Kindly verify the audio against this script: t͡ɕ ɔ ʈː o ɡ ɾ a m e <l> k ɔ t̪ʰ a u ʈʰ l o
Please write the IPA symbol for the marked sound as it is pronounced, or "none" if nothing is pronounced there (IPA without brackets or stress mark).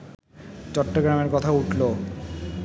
ɾ